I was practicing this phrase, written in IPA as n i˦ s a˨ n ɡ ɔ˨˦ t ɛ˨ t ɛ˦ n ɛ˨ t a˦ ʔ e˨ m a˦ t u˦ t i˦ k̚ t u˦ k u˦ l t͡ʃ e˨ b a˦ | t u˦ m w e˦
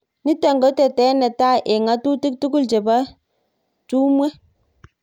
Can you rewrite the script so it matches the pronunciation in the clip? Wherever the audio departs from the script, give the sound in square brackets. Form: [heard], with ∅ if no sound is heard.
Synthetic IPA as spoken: n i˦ [t] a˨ [ŋ] ɡ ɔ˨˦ t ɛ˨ t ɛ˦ n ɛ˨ t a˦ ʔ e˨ [ŋ] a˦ t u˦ t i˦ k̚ t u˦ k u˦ l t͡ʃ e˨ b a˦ | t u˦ m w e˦